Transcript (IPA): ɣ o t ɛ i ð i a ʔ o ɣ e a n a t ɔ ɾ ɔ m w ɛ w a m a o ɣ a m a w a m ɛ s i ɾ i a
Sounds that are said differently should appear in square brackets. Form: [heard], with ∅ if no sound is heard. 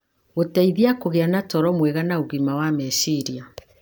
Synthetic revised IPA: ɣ o t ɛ i ð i a [k] o ɣ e a n a t ɔ ɾ ɔ m w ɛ [ɣ] a [n] a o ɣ [i] m a w a m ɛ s i ɾ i a